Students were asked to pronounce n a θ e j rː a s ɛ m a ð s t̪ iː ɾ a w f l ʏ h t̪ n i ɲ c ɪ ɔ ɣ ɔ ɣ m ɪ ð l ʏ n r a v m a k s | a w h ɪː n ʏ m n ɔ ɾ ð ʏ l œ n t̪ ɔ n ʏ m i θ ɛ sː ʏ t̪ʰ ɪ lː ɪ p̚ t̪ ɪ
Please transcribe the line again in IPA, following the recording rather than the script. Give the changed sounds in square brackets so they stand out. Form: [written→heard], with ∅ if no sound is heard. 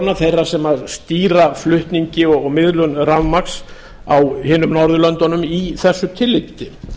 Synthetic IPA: n a θ e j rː a s ɛ m a ð s t̪ iː ɾ a [w→∅] f l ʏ h t̪ n i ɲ c ɪ ɔ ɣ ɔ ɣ m ɪ ð l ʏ n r a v m a k s | a w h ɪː n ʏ m n ɔ ɾ ð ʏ l œ n t̪ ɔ n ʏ m i θ ɛ sː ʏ t̪ʰ ɪ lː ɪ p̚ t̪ ɪ

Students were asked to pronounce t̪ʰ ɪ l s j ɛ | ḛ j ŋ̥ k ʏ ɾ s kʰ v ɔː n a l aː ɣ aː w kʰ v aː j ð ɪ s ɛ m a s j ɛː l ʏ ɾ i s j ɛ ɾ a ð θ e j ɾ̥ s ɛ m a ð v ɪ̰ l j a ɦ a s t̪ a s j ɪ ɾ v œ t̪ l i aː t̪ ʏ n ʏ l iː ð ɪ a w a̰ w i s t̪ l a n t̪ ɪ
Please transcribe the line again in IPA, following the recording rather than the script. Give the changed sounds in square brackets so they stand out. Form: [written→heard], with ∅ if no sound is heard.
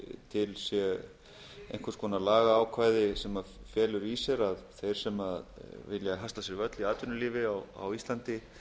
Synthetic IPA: t̪ʰ ɪ l s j ɛ | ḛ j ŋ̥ k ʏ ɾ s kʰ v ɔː n a l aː ɣ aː w kʰ v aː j ð ɪ s ɛ m a [s→f] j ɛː l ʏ ɾ i s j ɛ ɾ a ð θ e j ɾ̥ s ɛ m a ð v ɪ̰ l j a ɦ a s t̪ a s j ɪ ɾ v œ t̪ l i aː t̪ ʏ n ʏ l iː [ð→v] ɪ a w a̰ w i s t̪ l a n t̪ ɪ

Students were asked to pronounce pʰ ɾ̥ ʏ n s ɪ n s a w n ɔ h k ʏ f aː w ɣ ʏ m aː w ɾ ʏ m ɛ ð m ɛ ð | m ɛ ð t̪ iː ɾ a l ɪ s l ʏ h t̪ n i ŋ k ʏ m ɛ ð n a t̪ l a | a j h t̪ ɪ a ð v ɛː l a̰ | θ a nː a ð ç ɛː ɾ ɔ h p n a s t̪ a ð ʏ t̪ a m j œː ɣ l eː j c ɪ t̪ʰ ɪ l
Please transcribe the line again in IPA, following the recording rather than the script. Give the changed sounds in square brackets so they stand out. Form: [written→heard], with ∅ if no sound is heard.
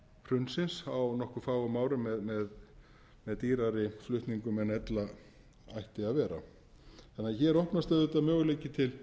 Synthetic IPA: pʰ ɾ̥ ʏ n s ɪ n s a w n ɔ h k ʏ f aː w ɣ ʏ m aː w ɾ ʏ m ɛ ð m ɛ ð | m ɛ ð t̪ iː ɾ a [l→ɾ] ɪ [s→f] l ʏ h t̪ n i ŋ k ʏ m ɛ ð n [a→ɛ] t̪ l a | a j h t̪ ɪ a ð v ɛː [l→ɾ] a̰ | θ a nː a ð ç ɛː ɾ ɔ h p n a s t̪ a ð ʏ t̪ a m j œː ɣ l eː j c ɪ t̪ʰ ɪ l

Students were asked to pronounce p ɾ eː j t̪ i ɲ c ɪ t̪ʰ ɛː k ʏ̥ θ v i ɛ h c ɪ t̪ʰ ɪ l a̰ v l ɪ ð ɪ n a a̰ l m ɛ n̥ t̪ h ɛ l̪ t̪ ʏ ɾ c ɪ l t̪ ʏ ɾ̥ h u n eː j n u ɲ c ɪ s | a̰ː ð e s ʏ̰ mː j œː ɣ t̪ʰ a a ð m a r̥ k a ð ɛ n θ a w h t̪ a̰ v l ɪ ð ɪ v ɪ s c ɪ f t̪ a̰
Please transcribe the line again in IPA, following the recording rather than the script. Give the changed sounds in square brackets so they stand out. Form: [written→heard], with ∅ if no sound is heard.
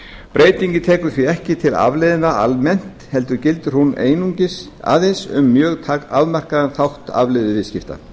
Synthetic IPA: p ɾ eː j t̪ i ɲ c ɪ t̪ʰ ɛː k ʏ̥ θ v i ɛ h c ɪ t̪ʰ ɪ l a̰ v l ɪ ð ɪ n a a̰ l m ɛ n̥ t̪ h ɛ l̪ t̪ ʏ ɾ c ɪ l t̪ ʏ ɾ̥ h u n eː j n u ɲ c ɪ s | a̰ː ð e s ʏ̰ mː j œː ɣ t̪ʰ a a ð m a r̥ k a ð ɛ n θ a w h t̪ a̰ v l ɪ ð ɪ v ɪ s c ɪ f t̪ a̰

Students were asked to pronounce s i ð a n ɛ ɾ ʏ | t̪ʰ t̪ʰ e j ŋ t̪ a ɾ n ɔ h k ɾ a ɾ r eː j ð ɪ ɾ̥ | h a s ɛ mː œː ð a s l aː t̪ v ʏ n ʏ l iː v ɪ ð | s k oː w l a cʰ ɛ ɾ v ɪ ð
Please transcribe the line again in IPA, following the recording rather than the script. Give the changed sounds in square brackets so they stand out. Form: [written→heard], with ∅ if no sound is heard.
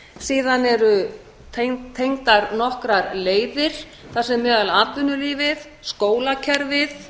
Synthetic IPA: s [i→iː] ð a n ɛ ɾ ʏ | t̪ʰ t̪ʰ e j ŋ t̪ a ɾ n ɔ h k ɾ a ɾ [r→l] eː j ð ɪ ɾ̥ | [h→θ] a s ɛ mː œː ð a [s→∅] l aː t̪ v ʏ n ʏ l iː v ɪ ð | s k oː w l a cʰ ɛ ɾ v ɪ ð

